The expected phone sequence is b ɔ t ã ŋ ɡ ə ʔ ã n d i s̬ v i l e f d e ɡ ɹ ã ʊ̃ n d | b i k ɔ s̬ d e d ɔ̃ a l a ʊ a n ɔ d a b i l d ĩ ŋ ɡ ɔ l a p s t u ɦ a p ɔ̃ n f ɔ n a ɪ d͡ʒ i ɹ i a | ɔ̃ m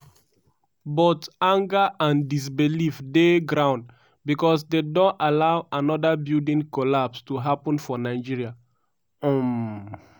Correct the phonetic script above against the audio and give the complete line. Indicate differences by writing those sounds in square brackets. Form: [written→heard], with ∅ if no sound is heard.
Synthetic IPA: b ɔ t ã ŋ ɡ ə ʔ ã n d i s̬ [v→b] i l [e→i] f d e ɡ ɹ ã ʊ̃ n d | b i k ɔ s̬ d e d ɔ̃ a l a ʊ a n ɔ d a b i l d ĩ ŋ [ɡ→k] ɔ l a p s t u ɦ a p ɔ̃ n f ɔ n a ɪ d͡ʒ i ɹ i a | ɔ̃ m